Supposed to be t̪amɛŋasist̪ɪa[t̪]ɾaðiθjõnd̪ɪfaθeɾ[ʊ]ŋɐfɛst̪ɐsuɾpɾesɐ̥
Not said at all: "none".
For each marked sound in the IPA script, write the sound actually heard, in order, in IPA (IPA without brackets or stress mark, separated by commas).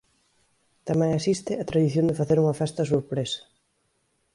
t̪, u